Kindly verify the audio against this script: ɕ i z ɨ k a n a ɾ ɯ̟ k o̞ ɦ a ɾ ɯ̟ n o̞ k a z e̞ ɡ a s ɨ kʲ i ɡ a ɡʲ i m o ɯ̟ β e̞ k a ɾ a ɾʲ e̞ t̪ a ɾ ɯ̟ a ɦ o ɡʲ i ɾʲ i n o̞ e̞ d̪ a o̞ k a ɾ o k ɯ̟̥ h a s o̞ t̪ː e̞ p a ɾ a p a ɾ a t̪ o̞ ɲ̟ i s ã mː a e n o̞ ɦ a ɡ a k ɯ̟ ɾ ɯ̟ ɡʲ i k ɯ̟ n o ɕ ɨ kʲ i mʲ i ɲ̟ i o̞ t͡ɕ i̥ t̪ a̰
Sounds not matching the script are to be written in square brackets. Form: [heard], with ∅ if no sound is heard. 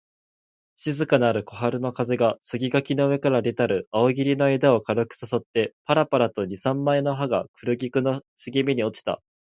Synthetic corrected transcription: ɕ i z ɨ k a n a ɾ ɯ̟ k o̞ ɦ a ɾ ɯ̟ n o̞ k a z e̞ ɡ a s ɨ [ɡʲ] i ɡ a [kʲ] i [n] o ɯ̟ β e̞ k a ɾ a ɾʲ e̞ t̪ a ɾ ɯ̟ a [∅] o ɡʲ i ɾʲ i n o̞ e̞ d̪ a o̞ k a ɾ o k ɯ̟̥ [s] a s o̞ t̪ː e̞ p a ɾ a p a ɾ a t̪ o̞ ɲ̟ i s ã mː a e n o̞ ɦ a ɡ a k ɯ̟ ɾ ɯ̟ ɡʲ i k ɯ̟ n o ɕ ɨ [ɡʲ] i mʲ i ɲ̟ i o̞ t͡ɕ i̥ t̪ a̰